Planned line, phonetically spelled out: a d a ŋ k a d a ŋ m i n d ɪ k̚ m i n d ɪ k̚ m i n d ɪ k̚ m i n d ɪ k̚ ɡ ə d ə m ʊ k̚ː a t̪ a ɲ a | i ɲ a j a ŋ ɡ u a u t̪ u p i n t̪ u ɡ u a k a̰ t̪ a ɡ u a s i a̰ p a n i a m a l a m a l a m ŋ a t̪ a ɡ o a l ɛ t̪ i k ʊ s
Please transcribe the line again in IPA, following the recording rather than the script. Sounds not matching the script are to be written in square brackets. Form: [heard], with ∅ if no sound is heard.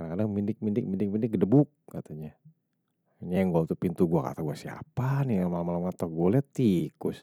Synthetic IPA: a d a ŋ k a d a ŋ m i n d ɪ k̚ m i n d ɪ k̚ m i n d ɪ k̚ m i n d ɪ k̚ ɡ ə d ə [b] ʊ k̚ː a t̪ a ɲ a | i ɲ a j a ŋ ɡ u a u t̪ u p i n t̪ u ɡ u a k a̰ t̪ a ɡ u a s i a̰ p a n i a m a l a m a l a m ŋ a t̪ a ɡ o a l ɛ t̪ i k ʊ s

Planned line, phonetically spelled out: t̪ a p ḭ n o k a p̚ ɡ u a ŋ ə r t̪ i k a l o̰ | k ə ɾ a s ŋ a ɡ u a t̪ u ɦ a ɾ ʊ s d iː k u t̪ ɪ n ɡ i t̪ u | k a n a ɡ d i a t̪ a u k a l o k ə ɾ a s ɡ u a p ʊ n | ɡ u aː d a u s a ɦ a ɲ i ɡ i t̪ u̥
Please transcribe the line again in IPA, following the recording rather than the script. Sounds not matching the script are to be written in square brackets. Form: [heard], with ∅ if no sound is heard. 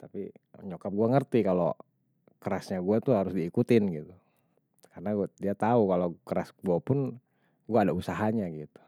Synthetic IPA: t̪ a p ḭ [ɲ] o k a p̚ ɡ u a ŋ ə r t̪ i k a l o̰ | k ə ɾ a s [ɲ] a ɡ u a t̪ u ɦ a ɾ ʊ s d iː k u t̪ ɪ n ɡ i t̪ u | k a n a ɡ d i a t̪ a u k a l o k ə ɾ a s ɡ u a p ʊ n | ɡ u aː d a u s a ɦ a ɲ [a] ɡ i t̪ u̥

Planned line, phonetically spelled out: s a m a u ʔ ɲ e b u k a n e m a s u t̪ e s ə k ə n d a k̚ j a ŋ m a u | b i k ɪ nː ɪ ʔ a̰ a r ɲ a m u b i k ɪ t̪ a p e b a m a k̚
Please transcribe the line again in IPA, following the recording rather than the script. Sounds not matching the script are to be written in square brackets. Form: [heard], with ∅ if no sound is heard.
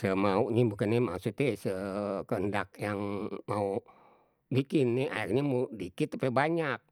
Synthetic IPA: s [ə] m a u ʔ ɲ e b u k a n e m a s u t̪ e s ə k ə n d a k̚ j a ŋ m a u | b i k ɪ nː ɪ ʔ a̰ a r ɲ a m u [d] i k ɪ t̪ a p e b a [ɲ] a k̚

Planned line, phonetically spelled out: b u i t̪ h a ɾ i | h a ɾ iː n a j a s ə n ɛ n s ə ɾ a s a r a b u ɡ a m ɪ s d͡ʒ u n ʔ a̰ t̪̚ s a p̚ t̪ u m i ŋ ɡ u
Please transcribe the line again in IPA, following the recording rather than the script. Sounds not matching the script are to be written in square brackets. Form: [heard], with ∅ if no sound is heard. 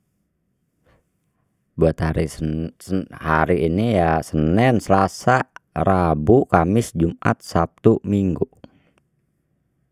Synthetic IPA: b u [a] t̪ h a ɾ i | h a ɾ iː n [i] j a s ə n ɛ n s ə [l] a s a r a b u [k] a m ɪ s d͡ʒ u [m] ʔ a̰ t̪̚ s a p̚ t̪ u m i ŋ ɡ u

